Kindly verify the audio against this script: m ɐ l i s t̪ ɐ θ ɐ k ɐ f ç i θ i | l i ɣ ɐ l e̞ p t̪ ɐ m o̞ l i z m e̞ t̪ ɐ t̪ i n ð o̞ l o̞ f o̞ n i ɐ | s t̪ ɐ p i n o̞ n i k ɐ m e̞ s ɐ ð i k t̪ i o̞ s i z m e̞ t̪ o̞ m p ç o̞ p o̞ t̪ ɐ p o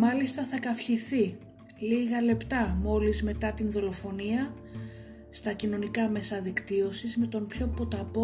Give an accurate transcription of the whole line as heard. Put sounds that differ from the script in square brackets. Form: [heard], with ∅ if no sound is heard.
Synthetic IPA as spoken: m ɐ l i s t̪ ɐ θ ɐ k ɐ f ç i θ i | l i ɣ ɐ l e̞ p t̪ ɐ m o̞ l i z m e̞ t̪ ɐ t̪ i n ð o̞ l o̞ f o̞ n i ɐ | s t̪ ɐ [c] i n o̞ n i k ɐ m e̞ s ɐ ð i k t̪ i o̞ s i z m e̞ t̪ o̞ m p ç o̞ p o̞ t̪ ɐ p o